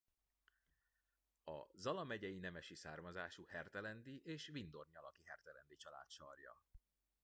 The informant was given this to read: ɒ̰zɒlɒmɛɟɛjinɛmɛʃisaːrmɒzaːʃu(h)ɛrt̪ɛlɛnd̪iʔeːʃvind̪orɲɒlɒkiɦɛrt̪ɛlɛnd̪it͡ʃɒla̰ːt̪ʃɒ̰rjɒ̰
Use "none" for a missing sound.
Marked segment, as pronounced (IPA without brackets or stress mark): h